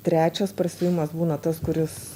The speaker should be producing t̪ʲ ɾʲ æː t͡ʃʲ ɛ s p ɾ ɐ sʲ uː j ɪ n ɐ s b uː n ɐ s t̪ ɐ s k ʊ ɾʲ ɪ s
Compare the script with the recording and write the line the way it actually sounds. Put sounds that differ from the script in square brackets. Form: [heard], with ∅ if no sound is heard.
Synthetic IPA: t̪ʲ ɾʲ æː t͡ʃʲ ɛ s p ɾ ɐ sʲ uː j ɪ [m] ɐ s b uː n ɐ [∅] t̪ ɐ s k ʊ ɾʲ ɪ s